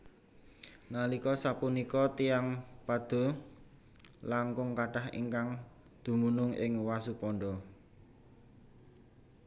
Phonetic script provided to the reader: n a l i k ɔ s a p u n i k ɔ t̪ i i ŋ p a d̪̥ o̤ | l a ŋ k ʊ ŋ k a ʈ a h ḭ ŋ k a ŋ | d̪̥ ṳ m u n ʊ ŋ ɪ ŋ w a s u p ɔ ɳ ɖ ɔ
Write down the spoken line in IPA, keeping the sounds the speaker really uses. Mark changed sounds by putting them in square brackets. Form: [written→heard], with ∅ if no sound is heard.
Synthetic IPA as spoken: n a l i k ɔ s a p u n i k ɔ t̪ i [i→a] ŋ p a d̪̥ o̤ | l a ŋ k ʊ ŋ k a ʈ a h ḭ ŋ k a ŋ | d̪̥ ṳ m u n ʊ ŋ ɪ ŋ w a s u p ɔ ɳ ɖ ɔ